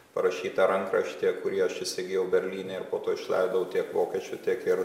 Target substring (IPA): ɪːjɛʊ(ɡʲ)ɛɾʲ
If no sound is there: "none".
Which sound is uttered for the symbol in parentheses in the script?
bʲ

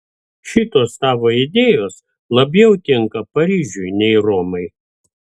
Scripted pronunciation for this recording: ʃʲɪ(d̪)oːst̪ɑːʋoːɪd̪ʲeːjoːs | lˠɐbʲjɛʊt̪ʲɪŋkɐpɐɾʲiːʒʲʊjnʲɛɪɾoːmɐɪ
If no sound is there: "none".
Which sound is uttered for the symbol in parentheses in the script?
t̪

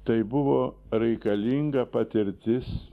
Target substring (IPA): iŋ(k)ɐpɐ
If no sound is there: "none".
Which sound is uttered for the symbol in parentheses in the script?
ɡ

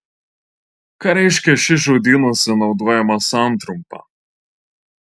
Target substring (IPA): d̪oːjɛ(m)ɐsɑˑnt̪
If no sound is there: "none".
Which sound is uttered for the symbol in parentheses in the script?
m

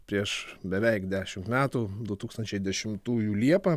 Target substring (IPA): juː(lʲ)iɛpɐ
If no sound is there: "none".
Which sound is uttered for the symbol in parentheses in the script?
lʲ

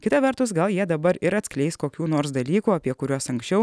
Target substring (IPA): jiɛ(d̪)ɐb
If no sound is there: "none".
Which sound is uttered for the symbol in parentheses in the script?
d̪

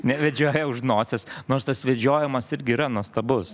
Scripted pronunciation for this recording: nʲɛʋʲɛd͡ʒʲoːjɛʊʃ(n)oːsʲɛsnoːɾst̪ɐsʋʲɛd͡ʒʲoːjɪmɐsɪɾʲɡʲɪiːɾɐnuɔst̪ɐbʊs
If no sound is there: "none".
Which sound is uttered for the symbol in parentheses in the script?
n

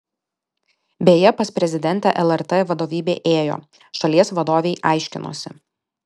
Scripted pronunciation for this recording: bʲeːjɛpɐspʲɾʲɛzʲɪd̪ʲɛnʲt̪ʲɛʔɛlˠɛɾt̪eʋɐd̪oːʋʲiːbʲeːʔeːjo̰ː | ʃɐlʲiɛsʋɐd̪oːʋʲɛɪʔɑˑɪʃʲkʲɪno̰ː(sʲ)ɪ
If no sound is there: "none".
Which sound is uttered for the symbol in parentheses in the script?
sʲ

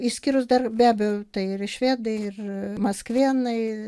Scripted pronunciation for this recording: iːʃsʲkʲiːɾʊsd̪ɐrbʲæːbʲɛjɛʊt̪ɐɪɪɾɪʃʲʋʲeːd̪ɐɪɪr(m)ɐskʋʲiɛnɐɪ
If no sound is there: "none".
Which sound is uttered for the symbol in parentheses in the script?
m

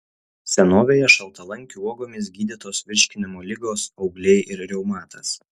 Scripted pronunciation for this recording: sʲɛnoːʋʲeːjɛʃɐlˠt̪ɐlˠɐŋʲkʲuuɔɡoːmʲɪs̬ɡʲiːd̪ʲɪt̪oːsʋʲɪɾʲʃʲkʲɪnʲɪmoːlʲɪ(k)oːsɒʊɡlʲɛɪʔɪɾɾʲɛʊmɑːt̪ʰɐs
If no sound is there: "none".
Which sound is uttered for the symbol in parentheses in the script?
ɡ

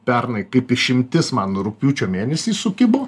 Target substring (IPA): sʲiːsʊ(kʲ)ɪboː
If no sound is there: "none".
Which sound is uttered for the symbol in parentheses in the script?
kʲ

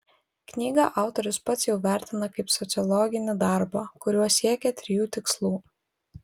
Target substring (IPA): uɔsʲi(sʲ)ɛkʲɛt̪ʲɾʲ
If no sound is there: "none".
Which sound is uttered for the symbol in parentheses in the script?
none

